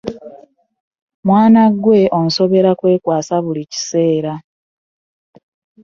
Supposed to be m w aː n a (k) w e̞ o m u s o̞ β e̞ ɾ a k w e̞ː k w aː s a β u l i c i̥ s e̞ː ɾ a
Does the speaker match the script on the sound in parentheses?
no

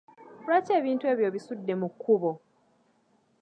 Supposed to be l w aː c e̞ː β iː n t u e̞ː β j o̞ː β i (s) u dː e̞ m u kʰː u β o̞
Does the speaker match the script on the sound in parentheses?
yes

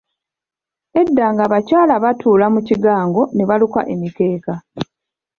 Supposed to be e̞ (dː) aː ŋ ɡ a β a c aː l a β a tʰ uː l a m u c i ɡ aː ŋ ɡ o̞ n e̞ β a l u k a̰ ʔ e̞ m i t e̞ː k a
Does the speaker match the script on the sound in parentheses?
yes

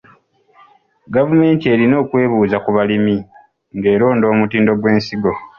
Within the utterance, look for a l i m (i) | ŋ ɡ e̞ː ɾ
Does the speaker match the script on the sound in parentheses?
yes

